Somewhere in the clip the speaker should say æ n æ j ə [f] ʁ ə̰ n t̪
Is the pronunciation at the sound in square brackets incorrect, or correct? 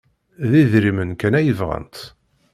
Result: incorrect